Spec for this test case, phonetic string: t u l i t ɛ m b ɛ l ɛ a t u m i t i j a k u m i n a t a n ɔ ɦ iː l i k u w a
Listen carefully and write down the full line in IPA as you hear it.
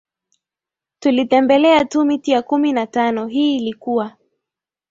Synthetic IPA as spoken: t u l i t ɛ m b ɛ l ɛ a t u m i t i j a k u m i n a t a n ɔ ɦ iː l i k u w a

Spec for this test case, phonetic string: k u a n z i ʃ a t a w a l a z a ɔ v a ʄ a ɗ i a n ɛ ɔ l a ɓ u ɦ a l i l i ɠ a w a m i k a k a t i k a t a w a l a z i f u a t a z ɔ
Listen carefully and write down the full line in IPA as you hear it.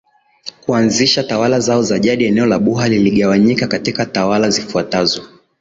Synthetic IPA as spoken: k u a n z i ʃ a t a w a l a z a ɔ z a ʄ a ɗ i ɛ n ɛ ɔ l a ɓ u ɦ a l i l i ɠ a w a ɲ i k a k a t i k a t a w a l a z i f u a t a z ɔ

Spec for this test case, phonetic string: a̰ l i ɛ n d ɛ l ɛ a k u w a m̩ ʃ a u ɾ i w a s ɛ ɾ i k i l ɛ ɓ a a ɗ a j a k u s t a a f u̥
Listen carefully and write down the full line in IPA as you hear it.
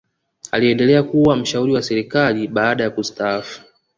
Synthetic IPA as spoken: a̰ l i ɛ n d ɛ l ɛ a k u w a m̩ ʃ a u ɾ i w a s ɛ ɾ i k a l i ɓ a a ɗ a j a k u s t a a f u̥

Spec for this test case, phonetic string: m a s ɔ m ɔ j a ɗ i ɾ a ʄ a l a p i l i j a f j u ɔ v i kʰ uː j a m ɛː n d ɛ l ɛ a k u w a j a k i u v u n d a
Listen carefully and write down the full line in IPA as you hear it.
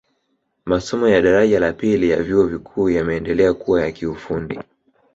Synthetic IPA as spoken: m a s ɔ m ɔ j a ɗ a ɾ a ʄ a l a p i l i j a v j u ɔ v i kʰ uː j a m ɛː n d ɛ l ɛ a k u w a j a k i u f u n d i

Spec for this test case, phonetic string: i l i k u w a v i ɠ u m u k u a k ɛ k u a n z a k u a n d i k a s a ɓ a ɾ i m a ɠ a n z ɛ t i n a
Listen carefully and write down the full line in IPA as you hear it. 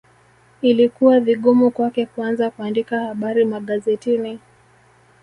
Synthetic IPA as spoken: i l i k u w a v i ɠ u m u k w a k ɛ k u a n z a k u a n d i k a h a ɓ a ɾ i m a ɠ a z ɛ t i n i

